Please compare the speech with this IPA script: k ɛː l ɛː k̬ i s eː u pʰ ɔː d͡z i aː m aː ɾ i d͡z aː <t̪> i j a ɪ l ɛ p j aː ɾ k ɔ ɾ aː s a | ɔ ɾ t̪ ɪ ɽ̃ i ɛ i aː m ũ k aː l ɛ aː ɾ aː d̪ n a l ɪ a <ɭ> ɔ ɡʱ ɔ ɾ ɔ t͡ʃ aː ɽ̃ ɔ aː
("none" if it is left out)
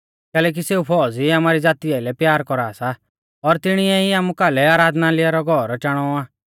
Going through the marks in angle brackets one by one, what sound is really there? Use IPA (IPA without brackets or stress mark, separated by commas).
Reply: t̪, ɾ